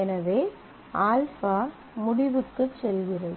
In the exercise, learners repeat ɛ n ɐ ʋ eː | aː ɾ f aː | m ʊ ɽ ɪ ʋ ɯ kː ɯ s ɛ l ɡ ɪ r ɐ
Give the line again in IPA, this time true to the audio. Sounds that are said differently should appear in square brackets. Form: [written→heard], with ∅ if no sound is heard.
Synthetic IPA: ɛ n ɐ ʋ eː | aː [ɾ→l] f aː | m ʊ ɽ ɪ ʋ ɯ kː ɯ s ɛ l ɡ ɪ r ɐ